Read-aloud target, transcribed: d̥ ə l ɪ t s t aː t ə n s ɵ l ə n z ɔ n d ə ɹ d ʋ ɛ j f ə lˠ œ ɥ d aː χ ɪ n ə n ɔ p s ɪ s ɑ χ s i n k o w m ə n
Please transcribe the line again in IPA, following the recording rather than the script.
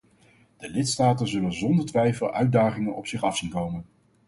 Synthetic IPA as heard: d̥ ə l ɪ t s t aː t ə n z ɵ l ə n z ɔ n d ə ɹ t ʋ ɛ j f ə lˠ œ ɥ d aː χ ɪ ŋ ə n ɔ p s ɪ χ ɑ f s i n k o w m ə n